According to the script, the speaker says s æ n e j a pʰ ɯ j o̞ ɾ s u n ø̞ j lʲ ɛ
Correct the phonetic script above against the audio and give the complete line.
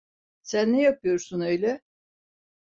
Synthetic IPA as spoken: s æ nː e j a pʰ ɯ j o̞ ɾ s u n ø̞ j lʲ ɛ